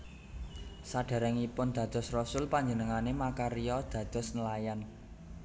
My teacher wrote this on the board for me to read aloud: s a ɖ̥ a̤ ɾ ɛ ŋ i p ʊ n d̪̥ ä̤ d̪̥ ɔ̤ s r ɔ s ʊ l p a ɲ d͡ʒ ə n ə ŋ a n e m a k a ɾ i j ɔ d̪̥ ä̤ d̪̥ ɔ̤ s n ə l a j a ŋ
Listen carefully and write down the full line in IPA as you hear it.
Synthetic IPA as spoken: s a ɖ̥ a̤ ɾ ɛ ŋ i p ʊ n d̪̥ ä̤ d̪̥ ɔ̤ s r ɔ s ʊ l p a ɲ d͡ʒ ə n ə ŋ a n e m a k a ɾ i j ɔ d̪̥ ä̤ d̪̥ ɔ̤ s n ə l a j a n